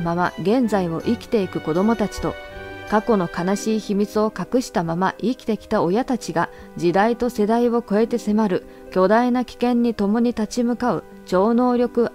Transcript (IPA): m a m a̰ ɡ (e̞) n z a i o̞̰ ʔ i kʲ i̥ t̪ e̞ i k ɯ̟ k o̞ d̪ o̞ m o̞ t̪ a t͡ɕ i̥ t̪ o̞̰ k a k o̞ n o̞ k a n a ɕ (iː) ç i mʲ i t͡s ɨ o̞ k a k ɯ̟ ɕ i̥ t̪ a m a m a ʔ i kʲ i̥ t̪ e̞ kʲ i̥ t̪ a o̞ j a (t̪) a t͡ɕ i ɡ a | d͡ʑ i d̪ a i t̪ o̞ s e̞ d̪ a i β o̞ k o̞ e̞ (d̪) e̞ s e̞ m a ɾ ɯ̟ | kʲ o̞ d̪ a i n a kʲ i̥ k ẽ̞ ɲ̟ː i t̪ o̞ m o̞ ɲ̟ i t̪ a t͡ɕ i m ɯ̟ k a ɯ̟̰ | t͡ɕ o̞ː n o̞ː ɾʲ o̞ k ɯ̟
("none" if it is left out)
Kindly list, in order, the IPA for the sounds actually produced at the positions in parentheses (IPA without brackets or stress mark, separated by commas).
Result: ẽ̞, iː, t̪, t̪